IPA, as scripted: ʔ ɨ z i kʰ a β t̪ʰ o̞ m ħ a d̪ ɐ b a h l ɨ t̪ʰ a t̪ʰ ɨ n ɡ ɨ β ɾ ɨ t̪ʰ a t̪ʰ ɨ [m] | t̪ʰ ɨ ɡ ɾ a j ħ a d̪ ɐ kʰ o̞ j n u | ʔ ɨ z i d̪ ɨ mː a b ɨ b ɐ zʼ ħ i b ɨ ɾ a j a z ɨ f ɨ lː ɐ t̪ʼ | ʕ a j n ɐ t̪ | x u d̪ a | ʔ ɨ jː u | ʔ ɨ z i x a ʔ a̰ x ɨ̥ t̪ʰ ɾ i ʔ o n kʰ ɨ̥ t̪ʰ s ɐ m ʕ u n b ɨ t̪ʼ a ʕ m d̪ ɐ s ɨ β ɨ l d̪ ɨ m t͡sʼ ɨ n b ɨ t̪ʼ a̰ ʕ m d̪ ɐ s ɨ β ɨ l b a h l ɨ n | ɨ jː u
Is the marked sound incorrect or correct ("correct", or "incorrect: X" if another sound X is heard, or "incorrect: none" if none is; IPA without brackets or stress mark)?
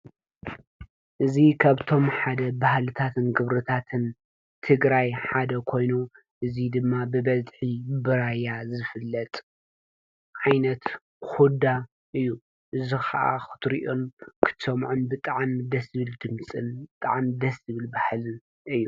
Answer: incorrect: n